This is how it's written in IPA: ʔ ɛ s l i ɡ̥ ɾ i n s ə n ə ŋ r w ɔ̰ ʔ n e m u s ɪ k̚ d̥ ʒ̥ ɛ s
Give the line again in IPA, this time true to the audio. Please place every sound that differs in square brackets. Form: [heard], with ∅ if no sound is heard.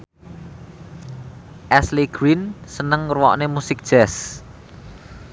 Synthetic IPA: ʔ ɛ s l i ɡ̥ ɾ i n s ə n ə ŋ r w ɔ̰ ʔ n e m u s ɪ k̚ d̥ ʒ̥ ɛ s